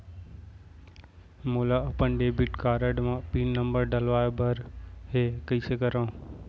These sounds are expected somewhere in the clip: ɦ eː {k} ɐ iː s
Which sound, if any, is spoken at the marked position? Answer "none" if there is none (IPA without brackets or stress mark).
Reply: k